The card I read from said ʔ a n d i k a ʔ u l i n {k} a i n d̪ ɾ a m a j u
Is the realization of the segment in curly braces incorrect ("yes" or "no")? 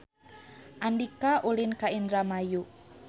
no